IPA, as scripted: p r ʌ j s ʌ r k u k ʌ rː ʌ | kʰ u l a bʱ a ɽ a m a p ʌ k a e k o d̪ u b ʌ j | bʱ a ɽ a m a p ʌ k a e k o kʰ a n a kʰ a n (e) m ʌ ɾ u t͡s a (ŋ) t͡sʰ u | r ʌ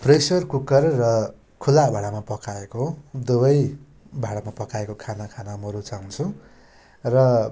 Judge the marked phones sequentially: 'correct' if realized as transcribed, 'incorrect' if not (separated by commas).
incorrect, correct